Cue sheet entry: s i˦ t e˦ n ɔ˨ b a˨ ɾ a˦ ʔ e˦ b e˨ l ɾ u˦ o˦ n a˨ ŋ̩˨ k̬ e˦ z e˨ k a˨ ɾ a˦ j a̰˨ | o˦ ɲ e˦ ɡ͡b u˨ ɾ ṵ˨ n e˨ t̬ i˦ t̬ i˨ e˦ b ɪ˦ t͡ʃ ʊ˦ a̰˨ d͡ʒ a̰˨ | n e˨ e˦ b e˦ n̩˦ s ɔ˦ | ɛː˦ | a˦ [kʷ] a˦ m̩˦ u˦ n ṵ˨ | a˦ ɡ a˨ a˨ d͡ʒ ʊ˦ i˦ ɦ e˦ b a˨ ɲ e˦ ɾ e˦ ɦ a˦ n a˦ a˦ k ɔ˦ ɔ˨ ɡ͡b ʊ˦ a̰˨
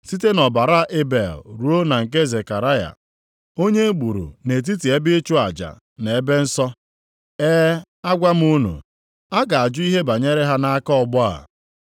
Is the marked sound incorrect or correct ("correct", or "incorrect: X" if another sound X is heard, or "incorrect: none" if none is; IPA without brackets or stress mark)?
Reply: incorrect: ɡʷ